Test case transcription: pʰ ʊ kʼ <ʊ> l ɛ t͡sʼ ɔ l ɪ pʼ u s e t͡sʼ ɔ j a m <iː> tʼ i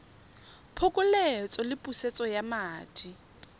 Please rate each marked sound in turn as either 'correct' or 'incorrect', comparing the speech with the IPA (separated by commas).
correct, incorrect